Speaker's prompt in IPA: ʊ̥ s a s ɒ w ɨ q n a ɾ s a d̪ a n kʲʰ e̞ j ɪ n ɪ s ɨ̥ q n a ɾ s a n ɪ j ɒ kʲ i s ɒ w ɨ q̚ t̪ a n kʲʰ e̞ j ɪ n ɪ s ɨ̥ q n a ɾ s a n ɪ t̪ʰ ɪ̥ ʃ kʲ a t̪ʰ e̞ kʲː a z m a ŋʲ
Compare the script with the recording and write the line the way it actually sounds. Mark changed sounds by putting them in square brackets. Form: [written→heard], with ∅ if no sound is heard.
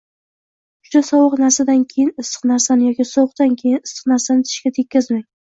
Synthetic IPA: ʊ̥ [s→ʃ] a s ɒ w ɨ q n a ɾ s a d̪ a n kʲʰ e̞ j ɪ n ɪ s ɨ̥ q n a ɾ s a n ɪ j ɒ kʲ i s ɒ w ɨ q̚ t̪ a n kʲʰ e̞ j ɪ n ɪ s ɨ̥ q n a ɾ s a n ɪ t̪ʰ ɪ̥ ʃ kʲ a t̪ʰ e̞ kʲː a z m a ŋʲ